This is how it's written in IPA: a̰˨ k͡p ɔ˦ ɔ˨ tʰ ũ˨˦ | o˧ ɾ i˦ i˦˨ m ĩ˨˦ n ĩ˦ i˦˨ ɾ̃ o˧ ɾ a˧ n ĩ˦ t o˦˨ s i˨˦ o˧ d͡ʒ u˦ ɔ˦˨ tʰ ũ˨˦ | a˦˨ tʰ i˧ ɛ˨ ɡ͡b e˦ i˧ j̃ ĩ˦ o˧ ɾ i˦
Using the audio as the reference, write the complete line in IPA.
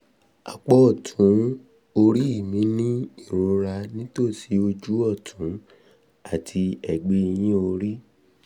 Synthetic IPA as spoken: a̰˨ k͡p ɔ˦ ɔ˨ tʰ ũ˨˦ | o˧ ɾ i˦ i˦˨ m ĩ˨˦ n ĩ˦ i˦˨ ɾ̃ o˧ ɾ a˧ n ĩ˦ t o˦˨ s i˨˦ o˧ d͡ʒ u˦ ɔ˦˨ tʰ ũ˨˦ | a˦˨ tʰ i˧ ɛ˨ ɡ͡b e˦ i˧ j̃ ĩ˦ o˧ ɾ i˦